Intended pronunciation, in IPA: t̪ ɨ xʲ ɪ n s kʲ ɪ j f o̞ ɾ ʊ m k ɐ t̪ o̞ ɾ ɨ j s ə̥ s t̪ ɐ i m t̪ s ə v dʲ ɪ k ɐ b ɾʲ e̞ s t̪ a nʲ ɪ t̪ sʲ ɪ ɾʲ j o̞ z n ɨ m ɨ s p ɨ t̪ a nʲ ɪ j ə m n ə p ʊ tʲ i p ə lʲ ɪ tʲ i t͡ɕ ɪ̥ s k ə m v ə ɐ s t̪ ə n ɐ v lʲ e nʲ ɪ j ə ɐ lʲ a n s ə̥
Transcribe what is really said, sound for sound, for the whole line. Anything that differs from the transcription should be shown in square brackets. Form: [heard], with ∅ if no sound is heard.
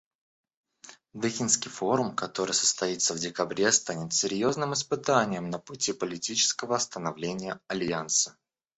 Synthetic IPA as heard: [d̪] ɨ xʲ ɪ n s kʲ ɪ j f o̞ ɾ ʊ m k ɐ t̪ o̞ ɾ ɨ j s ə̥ s t̪ ɐ i [∅] t̪ s ə v dʲ ɪ k ɐ b ɾʲ e̞ s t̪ a nʲ ɪ t̪ sʲ ɪ ɾʲ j o̞ z n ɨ m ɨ s p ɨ t̪ a nʲ ɪ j ə m n ə p ʊ tʲ i p ə lʲ ɪ tʲ i t͡ɕ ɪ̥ s k ə [∅] v ə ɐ s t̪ ə n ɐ v lʲ e nʲ ɪ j ə ɐ lʲ a n s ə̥